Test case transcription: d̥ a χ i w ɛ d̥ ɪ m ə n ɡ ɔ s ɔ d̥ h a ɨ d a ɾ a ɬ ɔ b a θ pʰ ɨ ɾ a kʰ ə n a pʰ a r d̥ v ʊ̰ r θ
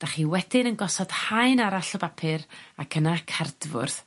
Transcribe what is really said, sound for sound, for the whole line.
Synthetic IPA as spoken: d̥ a χ i w ɛ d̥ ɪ n ə n ɡ ɔ s ɔ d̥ h a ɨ n a ɾ a ɬ ɔ b a pʰ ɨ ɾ a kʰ ə n a kʰ a r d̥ v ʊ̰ r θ